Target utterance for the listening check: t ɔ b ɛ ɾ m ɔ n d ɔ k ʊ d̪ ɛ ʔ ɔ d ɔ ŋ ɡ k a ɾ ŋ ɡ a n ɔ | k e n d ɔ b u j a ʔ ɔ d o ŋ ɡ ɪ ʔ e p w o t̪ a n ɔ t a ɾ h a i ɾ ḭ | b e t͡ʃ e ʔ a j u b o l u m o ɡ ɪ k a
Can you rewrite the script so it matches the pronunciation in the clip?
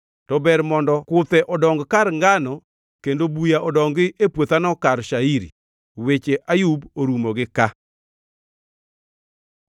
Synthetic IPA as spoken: t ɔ b ɛ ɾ m ɔ n d ɔ k ʊ t̪ ɛ ʔ ɔ d ɔ ŋ ɡ k a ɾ ŋ ɡ a n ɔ | k e n d o b u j a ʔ ɔ d ɔ ŋ ɡ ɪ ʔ e p w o t̪ a n ɔ k a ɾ ʃ a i ɾ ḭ | w e t͡ʃ e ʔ a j u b o ɾ u m o ɡ ɪ k a